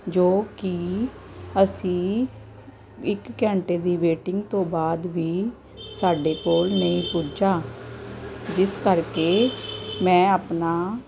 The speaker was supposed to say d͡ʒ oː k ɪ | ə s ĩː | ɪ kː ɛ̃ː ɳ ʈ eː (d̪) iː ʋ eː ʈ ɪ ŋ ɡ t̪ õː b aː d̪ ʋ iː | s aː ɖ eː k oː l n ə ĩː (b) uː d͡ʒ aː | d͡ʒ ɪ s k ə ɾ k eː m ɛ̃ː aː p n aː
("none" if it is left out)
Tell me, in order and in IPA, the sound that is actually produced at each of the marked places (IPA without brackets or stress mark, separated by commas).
d̪, p